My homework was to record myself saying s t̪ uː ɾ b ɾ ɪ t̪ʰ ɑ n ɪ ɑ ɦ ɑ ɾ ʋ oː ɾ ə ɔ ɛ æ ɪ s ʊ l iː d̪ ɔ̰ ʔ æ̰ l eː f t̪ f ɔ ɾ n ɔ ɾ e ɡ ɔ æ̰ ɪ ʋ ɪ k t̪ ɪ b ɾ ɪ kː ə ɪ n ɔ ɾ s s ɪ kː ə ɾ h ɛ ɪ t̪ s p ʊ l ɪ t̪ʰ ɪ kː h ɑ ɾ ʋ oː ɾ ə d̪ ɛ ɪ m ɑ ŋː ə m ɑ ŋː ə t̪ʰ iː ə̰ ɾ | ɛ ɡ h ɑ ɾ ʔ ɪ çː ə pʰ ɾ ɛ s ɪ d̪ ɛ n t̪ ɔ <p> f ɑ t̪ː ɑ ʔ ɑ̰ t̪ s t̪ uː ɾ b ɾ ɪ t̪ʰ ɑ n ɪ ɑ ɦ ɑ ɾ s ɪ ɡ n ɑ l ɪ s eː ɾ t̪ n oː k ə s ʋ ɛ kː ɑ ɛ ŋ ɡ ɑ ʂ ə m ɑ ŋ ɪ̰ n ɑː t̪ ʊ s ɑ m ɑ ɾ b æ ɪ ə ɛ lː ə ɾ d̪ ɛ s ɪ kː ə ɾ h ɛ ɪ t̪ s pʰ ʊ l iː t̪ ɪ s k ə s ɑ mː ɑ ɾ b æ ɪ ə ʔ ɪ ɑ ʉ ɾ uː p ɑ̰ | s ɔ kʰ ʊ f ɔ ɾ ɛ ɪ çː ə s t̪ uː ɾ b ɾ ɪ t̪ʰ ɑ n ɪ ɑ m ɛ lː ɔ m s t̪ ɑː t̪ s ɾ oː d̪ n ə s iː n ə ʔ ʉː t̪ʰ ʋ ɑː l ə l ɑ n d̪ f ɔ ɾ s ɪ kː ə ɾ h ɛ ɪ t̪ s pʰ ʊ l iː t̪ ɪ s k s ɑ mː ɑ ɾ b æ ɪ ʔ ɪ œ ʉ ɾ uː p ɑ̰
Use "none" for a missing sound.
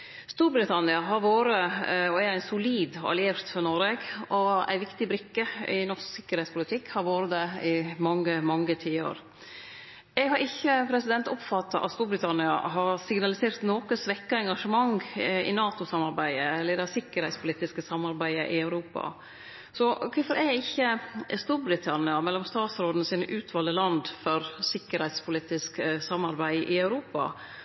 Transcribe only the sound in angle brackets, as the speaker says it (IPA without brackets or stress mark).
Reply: p